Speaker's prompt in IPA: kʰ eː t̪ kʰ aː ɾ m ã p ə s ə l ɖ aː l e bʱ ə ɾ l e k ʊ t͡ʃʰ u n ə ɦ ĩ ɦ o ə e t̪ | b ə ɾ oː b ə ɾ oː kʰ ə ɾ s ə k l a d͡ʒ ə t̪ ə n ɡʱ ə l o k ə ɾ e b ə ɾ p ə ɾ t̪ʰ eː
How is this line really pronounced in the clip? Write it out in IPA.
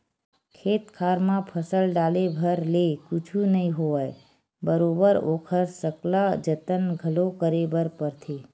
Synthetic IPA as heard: kʰ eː t̪ kʰ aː ɾ m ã pʰ ə s ə l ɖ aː l e bʱ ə ɾ l e k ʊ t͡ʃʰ u n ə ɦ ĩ ɦ o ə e | b ə ɾ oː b ə ɾ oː kʰ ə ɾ s ə k l a d͡ʒ ə t̪ ə n ɡʱ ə l o k ə ɾ e b ə ɾ p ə ɾ t̪ʰ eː